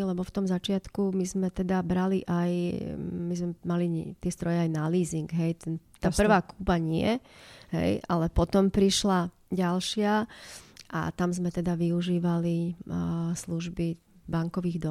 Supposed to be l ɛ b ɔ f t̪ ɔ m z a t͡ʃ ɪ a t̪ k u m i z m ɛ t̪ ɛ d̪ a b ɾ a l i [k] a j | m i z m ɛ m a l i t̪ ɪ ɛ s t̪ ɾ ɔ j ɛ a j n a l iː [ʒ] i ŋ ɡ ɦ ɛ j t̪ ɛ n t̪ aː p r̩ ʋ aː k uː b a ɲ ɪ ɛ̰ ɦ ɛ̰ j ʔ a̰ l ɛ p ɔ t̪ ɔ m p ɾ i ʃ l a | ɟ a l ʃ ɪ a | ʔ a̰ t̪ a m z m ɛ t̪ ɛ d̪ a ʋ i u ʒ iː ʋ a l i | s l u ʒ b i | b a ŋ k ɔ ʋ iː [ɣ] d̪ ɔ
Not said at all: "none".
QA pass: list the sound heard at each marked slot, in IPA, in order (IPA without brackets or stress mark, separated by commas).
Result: ʔ, z, ɣ